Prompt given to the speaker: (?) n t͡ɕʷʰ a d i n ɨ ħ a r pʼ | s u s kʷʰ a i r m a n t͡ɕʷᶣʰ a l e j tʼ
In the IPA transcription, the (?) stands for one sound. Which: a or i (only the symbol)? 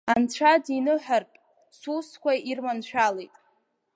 a